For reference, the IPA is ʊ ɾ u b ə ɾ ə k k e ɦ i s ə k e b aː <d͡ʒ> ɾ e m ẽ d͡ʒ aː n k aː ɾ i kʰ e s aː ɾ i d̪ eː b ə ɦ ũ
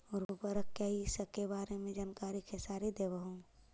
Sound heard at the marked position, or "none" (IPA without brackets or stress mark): none